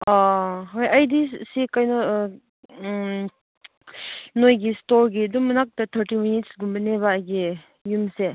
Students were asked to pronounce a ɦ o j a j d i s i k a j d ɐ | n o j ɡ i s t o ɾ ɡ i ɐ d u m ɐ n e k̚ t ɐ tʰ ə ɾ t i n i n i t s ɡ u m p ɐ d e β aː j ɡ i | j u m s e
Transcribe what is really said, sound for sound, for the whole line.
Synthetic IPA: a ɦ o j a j d i s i k a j n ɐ | n o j ɡ i s t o ɾ ɡ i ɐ d u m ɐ n a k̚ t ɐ tʰ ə ɾ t i m i n i t s ɡ u m b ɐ n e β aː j ɡ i | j u m s e